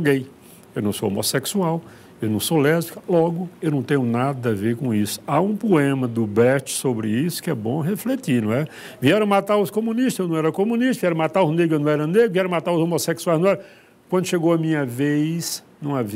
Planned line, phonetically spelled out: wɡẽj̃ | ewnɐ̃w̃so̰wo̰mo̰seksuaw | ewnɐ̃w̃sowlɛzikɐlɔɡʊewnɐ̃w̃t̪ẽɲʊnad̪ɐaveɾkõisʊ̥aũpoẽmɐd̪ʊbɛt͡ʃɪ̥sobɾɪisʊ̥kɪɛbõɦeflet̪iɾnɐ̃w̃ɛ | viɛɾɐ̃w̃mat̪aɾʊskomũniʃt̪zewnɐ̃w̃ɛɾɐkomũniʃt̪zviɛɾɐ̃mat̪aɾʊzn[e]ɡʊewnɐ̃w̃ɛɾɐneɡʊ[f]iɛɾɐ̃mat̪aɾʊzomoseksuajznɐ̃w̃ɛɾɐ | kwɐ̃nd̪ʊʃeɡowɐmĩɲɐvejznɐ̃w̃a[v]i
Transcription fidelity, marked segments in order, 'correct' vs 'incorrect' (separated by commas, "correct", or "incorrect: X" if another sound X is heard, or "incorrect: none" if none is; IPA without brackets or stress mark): correct, incorrect: v, correct